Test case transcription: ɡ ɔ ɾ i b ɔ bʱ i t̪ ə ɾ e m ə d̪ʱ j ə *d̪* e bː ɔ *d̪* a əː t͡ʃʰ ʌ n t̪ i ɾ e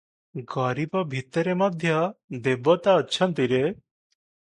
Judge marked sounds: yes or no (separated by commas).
yes, no